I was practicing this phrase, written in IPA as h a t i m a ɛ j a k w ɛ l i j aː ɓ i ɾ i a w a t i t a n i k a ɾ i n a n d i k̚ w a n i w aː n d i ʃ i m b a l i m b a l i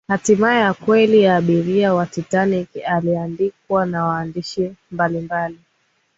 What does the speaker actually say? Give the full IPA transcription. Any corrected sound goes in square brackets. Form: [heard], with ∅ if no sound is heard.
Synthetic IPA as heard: h a t i m a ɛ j a k w ɛ l i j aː ɓ i ɾ i a w a t i t a n i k a [l] i [∅] a n d i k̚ w a n [a] w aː n d i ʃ i m b a l i m b a l i